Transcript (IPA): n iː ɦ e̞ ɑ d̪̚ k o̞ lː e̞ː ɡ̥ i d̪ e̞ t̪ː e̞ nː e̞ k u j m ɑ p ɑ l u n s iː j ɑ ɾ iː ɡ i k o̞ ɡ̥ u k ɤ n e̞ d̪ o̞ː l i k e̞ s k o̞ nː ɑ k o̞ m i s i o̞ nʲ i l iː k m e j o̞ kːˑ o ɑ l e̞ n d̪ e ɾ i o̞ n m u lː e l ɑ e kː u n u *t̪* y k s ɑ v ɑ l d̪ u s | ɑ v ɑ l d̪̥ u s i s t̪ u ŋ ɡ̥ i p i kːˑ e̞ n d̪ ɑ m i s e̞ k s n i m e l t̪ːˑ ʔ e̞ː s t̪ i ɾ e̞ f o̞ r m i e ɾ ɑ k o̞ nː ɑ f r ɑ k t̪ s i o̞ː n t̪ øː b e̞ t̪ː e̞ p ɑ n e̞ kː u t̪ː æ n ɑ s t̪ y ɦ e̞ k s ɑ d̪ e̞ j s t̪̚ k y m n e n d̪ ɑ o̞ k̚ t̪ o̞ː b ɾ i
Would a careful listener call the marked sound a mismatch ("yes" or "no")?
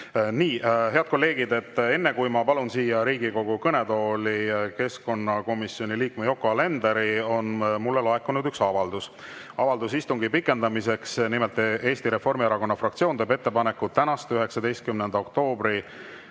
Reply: yes